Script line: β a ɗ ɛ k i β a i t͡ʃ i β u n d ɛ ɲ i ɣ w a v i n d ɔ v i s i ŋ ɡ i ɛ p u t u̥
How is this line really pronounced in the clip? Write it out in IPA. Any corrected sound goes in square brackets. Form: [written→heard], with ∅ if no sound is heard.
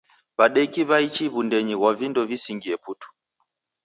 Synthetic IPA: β a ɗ ɛ k i β a i t͡ʃ i β u n d ɛ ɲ i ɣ w a v i n d ɔ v i s i ŋ ɡ i ɛ p u t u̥